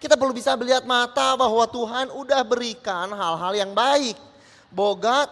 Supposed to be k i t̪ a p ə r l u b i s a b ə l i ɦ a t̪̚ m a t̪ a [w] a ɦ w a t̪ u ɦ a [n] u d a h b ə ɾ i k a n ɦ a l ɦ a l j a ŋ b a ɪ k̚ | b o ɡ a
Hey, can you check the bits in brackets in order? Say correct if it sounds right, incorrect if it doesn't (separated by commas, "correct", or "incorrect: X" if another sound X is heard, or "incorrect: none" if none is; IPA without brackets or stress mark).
incorrect: b, correct